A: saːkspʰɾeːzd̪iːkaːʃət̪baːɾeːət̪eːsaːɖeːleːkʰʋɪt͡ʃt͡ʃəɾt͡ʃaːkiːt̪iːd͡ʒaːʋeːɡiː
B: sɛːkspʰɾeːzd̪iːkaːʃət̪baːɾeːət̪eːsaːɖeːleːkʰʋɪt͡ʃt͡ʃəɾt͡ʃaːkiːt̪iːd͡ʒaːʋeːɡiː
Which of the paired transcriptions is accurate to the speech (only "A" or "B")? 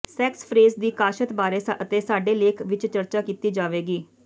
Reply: B